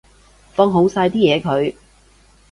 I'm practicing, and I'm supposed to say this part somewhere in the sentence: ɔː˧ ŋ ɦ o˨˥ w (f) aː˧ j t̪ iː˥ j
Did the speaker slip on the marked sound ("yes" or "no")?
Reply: yes